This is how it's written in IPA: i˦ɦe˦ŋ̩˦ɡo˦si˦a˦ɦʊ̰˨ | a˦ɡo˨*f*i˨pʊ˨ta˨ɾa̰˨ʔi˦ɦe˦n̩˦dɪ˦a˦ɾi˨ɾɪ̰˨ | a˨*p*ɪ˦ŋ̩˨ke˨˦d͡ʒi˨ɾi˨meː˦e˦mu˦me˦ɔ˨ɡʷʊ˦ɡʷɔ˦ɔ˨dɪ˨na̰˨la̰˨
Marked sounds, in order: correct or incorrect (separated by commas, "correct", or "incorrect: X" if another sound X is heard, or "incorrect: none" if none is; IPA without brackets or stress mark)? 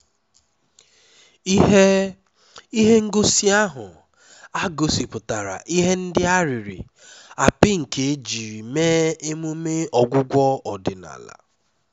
incorrect: s, correct